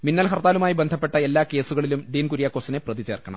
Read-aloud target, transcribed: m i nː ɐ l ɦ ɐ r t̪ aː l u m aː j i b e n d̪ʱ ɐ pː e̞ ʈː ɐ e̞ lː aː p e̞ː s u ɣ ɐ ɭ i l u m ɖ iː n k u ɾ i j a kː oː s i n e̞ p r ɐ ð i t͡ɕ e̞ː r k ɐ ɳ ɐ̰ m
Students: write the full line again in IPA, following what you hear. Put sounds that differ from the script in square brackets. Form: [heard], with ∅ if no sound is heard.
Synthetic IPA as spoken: m i nː ɐ l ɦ ɐ r t̪ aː l u m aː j i b e n d̪ʱ ɐ pː e̞ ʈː ɐ e̞ lː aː [k] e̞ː s u ɣ ɐ ɭ i l u m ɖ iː n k u ɾ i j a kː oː s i n e̞ p r ɐ ð i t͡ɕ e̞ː r k ɐ ɳ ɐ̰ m